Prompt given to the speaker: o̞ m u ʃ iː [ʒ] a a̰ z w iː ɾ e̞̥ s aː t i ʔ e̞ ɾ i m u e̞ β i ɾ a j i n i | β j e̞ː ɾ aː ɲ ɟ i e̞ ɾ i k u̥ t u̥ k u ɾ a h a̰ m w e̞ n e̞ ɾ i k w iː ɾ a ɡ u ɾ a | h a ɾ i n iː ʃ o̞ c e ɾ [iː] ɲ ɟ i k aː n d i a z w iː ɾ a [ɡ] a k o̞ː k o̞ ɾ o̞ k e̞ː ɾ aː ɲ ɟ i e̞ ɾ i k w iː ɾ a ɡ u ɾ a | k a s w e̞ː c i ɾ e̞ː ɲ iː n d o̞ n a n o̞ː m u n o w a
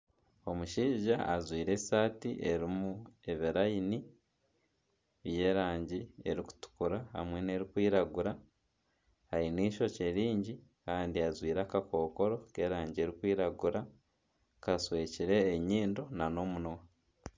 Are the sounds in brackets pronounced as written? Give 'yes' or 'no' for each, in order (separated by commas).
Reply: yes, yes, no